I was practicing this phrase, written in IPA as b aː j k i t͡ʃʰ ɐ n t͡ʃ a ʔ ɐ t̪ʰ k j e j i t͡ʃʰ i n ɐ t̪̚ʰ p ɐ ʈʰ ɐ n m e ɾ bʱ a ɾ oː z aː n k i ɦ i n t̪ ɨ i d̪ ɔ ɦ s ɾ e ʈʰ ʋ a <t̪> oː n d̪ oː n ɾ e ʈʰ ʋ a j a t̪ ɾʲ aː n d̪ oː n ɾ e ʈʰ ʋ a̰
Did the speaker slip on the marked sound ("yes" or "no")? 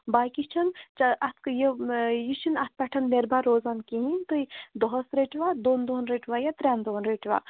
yes